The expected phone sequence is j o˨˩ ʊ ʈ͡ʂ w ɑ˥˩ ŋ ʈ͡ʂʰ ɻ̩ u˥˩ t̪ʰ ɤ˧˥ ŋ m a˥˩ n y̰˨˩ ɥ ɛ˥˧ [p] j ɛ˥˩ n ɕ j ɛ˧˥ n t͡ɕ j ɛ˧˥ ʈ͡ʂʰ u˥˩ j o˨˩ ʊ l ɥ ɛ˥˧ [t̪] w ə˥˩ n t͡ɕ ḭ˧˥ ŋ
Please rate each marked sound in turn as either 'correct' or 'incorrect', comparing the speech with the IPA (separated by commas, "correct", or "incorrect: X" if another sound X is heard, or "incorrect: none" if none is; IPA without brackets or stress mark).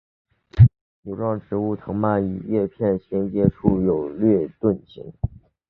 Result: incorrect: pʰ, correct